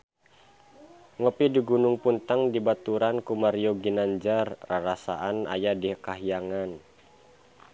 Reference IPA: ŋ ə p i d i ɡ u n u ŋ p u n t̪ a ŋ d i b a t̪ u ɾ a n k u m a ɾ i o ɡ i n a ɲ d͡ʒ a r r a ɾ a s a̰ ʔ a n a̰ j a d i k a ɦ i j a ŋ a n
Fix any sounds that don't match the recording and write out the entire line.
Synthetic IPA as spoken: ŋ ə p i d i ɡ u n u ŋ p u n t̪ a ŋ d i b a t̪ u ɾ a n k u m a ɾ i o ɡ i n a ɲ d͡ʒ a r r a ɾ a s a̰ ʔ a n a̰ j a d i k a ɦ i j a ŋ a n

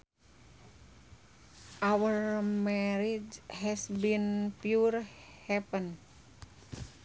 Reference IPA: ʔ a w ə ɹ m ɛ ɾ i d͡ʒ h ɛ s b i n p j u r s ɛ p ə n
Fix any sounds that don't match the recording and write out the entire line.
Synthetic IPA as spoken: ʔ a w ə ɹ m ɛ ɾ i d͡ʒ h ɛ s b i n p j u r h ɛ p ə n

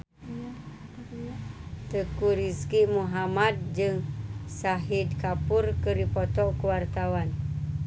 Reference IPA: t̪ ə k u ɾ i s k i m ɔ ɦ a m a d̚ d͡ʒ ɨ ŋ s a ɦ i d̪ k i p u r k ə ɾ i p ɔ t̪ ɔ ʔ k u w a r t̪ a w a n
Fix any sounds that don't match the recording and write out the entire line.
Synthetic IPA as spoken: t̪ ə k u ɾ i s k i m u ɦ a m a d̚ d͡ʒ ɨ ŋ s a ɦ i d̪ k a p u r k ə ɾ i p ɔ t̪ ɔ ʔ k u w a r t̪ a w a n

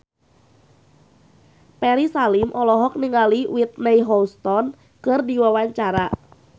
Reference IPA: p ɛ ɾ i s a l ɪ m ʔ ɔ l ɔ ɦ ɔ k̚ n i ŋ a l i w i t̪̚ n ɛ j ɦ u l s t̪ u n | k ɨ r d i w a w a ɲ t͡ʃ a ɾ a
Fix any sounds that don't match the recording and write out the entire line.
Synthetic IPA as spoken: p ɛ ɾ i s a l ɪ m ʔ ɔ l ɔ ɦ ɔ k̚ n i ŋ a l i w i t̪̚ n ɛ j ɦ ɔ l s t̪ ɔ n | k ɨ r d i w a w a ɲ t͡ʃ a ɾ a

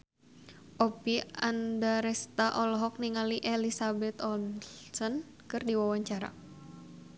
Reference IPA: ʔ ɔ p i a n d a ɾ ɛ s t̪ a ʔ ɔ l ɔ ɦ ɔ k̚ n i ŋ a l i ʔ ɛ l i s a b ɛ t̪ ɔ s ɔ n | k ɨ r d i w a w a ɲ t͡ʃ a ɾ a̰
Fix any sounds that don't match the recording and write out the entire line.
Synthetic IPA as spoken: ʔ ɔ p i a n d a ɾ ɛ s t̪ a ʔ ɔ l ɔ ɦ ɔ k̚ n i ŋ a l i ʔ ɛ l i s a b ɛ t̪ ɔ s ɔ n | k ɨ r d i w a w a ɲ t͡ʃ a ɾ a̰

